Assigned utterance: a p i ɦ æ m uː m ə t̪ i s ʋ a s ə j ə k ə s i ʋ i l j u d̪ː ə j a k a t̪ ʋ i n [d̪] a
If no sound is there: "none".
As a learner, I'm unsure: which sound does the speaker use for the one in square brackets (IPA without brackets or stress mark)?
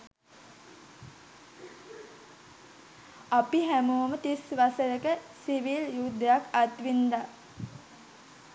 d̪